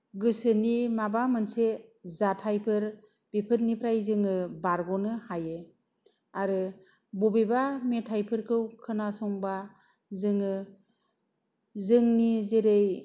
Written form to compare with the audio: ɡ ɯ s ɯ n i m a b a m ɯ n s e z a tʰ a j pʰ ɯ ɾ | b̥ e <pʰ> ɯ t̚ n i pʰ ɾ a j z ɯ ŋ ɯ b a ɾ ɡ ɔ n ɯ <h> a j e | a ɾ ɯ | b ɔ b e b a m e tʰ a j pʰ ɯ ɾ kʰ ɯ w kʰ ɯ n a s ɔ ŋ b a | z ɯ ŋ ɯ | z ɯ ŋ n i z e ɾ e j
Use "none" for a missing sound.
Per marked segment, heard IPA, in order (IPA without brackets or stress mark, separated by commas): pʰ, h